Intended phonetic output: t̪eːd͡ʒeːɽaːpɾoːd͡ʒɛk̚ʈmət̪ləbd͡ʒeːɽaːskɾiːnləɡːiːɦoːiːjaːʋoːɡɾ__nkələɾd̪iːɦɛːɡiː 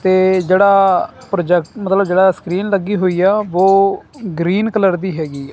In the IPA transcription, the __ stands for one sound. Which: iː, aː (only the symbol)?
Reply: iː